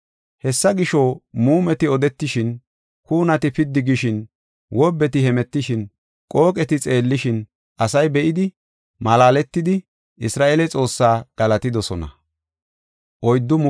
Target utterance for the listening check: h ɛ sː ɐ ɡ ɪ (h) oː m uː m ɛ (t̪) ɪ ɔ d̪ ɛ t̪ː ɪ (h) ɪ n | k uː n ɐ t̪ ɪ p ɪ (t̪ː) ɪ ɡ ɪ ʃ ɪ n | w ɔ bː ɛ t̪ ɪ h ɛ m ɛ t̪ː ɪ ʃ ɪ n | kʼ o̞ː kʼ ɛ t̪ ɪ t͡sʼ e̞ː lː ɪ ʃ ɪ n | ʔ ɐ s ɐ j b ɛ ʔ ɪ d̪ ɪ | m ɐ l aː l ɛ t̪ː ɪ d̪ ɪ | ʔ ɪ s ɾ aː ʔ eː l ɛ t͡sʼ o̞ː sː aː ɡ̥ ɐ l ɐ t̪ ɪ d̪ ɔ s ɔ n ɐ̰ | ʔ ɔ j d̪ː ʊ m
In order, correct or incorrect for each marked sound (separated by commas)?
incorrect, correct, incorrect, incorrect